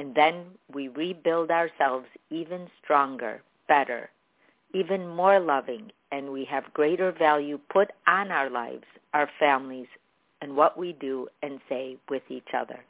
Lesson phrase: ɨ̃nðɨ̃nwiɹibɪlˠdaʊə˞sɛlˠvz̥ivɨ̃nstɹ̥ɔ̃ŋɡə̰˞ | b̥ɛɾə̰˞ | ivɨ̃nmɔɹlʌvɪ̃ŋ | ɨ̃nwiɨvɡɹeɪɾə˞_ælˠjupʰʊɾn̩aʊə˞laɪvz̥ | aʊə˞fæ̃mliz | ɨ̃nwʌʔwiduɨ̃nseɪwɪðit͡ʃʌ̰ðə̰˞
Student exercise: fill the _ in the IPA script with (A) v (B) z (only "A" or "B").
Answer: A